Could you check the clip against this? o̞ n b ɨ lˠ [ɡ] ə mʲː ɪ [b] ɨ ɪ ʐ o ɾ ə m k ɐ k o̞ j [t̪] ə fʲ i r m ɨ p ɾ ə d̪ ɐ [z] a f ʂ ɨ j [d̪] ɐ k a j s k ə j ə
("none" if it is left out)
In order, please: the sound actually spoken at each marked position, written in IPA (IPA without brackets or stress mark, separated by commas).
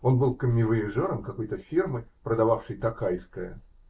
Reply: k, v, t̪, v, t̪